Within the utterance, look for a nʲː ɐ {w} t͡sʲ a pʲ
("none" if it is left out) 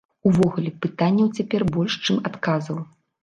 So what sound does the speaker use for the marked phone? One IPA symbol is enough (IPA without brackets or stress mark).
w